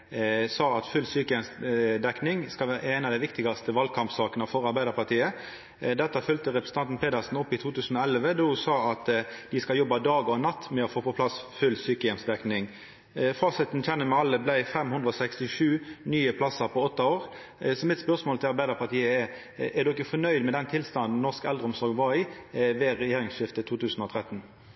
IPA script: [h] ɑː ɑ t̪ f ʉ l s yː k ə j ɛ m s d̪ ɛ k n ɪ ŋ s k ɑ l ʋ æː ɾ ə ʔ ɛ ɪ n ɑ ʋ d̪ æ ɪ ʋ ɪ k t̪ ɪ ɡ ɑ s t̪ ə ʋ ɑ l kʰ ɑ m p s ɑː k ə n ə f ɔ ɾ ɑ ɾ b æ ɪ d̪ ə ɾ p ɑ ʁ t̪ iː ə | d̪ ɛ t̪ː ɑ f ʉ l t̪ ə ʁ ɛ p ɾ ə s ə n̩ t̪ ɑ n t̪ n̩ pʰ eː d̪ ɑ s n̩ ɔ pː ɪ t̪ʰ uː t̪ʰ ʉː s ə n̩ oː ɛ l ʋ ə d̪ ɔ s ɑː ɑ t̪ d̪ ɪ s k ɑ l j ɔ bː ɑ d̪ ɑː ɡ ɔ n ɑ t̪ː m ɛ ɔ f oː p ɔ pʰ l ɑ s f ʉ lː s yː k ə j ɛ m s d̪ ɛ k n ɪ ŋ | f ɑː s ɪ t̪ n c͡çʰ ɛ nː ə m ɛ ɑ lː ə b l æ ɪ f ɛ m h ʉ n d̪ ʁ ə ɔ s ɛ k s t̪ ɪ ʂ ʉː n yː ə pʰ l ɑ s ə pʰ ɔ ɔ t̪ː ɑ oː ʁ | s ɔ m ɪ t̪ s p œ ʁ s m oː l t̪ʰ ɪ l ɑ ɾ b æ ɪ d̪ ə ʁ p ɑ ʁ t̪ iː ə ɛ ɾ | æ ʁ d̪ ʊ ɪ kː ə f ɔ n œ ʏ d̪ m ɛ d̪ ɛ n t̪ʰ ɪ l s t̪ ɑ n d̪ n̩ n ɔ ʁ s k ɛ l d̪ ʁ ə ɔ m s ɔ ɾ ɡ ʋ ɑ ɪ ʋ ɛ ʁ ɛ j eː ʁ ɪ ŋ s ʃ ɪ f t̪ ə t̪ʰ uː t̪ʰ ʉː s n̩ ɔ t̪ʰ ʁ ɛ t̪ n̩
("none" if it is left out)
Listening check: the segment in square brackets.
s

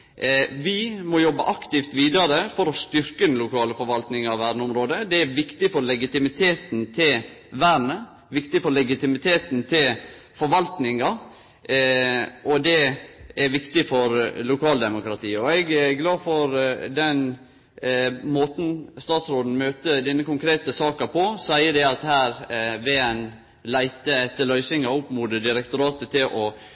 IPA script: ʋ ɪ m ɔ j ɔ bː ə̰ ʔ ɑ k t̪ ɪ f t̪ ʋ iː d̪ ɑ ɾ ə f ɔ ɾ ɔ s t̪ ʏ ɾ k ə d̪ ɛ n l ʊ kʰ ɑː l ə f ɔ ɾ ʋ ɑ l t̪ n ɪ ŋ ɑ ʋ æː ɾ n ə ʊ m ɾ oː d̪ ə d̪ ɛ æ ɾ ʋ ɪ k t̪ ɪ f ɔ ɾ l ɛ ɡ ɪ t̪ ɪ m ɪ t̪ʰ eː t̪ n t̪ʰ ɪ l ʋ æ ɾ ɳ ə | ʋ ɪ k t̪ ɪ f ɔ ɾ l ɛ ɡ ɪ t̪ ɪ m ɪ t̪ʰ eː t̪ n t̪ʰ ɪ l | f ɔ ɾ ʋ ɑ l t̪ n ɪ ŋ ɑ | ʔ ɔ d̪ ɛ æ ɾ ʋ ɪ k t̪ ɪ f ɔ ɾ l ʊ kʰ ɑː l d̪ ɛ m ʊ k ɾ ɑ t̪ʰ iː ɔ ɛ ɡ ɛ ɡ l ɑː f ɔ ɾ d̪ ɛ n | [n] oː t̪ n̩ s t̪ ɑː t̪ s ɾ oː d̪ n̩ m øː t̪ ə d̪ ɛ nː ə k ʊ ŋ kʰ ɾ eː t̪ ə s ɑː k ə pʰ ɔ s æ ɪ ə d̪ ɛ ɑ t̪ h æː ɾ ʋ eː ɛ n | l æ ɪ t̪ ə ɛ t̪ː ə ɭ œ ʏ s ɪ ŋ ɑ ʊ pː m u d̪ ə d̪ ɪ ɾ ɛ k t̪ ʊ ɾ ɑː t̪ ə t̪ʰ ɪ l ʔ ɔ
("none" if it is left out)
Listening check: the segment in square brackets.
m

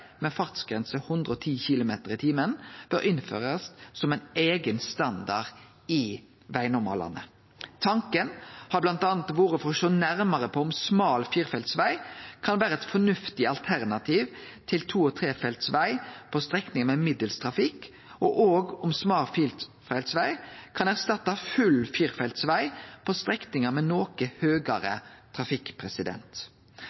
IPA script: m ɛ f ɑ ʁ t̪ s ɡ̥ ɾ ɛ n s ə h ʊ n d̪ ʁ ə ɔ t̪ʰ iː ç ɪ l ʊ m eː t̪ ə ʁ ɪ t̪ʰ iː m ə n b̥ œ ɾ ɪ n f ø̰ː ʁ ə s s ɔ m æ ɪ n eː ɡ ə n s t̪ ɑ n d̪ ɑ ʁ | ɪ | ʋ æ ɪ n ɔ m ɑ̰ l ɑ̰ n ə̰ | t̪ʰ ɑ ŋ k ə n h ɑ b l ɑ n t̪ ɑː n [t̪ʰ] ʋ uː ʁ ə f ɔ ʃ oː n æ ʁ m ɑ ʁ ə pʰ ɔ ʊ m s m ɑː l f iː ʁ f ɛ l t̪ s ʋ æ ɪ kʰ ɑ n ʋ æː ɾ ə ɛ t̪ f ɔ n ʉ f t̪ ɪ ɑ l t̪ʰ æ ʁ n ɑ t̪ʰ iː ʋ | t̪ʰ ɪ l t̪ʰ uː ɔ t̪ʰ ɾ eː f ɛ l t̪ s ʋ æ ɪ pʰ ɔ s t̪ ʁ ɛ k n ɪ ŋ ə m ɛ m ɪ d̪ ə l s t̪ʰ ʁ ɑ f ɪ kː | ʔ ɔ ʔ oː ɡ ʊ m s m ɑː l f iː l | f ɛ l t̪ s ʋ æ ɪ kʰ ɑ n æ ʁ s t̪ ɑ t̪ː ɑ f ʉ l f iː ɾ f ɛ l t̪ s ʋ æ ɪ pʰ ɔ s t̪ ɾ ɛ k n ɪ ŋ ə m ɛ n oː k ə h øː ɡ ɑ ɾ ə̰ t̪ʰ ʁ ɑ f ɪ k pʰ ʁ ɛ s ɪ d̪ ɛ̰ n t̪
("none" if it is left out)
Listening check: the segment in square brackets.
t̪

